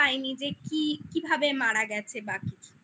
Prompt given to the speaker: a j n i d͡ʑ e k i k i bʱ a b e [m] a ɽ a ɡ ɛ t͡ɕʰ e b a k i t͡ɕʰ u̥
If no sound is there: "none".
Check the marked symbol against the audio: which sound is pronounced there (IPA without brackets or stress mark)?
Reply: m